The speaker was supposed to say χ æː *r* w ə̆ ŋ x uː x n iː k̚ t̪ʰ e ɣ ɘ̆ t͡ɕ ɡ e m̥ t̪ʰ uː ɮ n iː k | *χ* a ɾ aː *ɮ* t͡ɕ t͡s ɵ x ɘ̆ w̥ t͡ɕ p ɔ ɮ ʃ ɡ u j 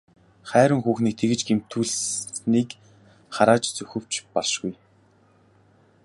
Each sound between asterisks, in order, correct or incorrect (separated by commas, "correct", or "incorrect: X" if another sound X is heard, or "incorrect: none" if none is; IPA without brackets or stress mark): incorrect: ɾ, correct, incorrect: none